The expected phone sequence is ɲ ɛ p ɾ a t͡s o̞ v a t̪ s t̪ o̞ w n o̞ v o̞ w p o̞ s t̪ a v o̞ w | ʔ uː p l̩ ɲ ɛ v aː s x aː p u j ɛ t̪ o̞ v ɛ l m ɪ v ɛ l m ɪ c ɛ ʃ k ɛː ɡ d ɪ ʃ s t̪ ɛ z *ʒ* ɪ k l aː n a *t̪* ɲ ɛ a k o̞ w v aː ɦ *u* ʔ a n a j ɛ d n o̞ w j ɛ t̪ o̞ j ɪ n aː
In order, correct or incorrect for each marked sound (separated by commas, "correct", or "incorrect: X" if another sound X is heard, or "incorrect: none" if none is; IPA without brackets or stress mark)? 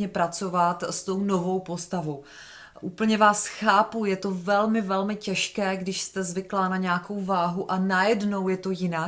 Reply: incorrect: v, incorrect: none, correct